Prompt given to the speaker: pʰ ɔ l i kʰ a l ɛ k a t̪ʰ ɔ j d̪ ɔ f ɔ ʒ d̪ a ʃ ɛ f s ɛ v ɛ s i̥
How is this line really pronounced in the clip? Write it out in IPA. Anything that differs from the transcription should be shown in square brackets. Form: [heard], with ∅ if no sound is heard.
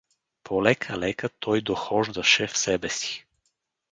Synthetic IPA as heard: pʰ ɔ l [ɛ] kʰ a l ɛ k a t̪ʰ ɔ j d̪ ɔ [x] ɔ ʒ d̪ a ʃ ɛ f s ɛ [b] ɛ s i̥